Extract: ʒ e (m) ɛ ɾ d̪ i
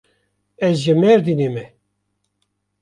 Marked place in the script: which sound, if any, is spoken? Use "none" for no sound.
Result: m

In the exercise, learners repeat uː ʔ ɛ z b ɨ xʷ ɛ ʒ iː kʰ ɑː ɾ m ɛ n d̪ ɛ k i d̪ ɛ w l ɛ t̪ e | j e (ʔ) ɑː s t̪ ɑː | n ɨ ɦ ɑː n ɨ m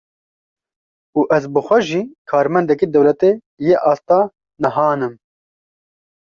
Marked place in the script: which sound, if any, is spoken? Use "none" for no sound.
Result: ʔ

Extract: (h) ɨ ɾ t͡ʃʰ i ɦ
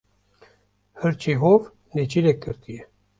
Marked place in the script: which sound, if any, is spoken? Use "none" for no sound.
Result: h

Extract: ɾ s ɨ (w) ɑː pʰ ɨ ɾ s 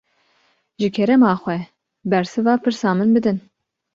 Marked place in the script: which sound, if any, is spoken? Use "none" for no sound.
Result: v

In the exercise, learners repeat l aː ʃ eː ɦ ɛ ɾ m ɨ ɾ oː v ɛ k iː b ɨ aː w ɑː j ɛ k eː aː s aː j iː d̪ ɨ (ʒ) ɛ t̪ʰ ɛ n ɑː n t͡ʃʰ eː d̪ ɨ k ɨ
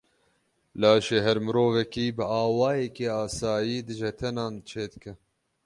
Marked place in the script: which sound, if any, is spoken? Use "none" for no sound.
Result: ʒ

